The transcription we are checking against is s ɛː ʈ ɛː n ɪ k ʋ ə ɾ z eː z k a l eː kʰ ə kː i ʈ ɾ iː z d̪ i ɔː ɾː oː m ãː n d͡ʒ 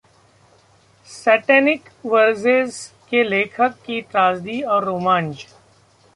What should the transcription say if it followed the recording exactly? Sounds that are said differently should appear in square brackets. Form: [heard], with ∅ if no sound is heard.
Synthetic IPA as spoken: s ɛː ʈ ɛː n ɪ k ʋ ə ɾ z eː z k [e] l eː kʰ ə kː i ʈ ɾ [aː] z d̪ i ɔː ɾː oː m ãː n d͡ʒ